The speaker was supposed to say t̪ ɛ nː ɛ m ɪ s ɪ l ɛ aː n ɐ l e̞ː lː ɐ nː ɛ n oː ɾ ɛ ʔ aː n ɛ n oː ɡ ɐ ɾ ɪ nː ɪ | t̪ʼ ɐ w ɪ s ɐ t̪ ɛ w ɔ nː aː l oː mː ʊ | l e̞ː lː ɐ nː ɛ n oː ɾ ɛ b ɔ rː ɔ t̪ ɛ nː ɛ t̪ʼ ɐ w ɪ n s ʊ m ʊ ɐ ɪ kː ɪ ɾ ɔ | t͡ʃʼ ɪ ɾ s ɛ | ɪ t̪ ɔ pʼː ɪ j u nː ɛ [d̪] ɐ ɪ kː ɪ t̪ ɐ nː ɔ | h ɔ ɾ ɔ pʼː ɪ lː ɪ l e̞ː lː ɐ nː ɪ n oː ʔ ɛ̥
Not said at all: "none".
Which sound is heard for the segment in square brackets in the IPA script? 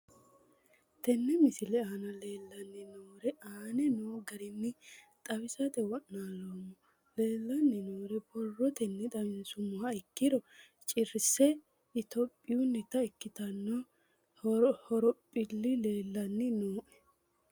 t̪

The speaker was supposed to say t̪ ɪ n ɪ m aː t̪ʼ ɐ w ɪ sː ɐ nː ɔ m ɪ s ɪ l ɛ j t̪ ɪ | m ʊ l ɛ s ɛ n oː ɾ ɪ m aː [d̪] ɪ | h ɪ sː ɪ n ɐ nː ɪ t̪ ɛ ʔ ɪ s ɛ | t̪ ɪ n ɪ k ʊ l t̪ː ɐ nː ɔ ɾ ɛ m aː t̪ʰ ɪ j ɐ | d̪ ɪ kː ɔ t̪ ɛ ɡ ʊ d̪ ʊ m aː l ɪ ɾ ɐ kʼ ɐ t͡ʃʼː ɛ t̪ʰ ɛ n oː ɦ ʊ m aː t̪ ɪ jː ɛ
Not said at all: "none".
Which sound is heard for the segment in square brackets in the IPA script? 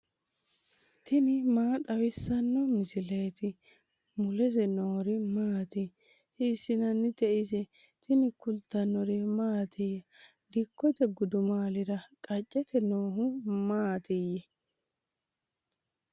t̪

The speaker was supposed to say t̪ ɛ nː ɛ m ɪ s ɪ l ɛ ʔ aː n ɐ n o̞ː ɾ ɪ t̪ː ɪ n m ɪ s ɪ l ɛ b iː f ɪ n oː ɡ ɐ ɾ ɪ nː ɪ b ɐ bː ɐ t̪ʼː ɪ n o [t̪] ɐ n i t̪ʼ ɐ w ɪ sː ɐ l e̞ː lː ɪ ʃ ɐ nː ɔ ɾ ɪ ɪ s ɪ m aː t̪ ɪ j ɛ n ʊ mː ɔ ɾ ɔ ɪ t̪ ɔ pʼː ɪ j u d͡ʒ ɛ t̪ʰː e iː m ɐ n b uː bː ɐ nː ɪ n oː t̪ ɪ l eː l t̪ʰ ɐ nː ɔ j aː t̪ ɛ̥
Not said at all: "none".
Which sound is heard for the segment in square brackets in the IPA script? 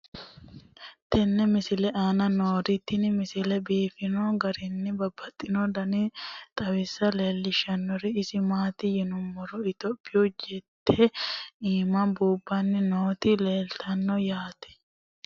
d̪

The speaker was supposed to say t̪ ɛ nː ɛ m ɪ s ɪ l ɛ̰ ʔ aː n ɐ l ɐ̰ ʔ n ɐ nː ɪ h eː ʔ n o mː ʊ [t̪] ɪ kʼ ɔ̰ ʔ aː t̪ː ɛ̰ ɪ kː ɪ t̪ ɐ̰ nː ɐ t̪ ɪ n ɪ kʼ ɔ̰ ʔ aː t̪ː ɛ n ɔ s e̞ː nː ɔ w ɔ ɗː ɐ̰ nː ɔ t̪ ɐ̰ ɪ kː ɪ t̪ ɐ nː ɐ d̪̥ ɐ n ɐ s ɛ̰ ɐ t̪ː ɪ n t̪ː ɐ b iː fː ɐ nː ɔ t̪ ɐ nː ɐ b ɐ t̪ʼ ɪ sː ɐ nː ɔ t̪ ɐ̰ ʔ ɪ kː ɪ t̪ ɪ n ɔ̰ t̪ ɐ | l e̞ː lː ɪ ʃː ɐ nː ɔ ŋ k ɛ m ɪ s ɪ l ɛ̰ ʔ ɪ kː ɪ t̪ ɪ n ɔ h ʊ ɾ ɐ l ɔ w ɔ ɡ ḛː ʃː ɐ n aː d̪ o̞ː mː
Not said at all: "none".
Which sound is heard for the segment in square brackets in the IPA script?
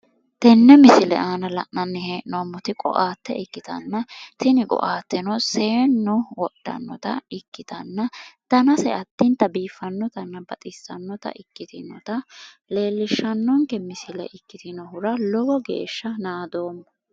t̪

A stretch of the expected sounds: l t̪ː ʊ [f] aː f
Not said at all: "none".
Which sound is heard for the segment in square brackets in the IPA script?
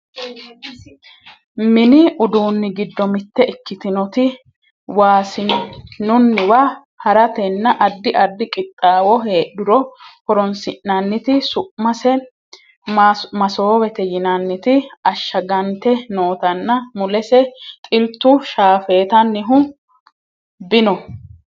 ʃ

